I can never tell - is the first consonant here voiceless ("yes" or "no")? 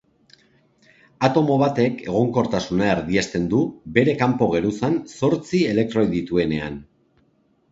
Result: yes